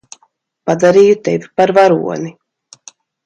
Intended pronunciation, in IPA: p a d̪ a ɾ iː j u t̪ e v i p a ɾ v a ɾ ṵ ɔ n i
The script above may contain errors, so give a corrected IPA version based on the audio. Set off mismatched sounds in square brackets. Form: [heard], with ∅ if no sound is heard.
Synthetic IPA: p a d̪ a ɾ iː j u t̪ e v i p a ɾ v a ɾ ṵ ɔ n i